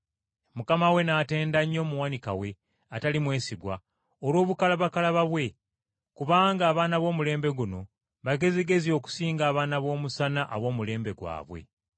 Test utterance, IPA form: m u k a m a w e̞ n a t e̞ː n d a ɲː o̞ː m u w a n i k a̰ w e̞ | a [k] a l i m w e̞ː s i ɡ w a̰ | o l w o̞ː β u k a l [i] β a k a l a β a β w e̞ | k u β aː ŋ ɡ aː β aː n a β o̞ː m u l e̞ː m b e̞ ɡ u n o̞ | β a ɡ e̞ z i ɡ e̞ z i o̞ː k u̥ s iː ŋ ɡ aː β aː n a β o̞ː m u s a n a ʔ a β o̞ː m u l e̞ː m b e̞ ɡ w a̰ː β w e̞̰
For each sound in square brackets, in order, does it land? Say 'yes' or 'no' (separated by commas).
no, no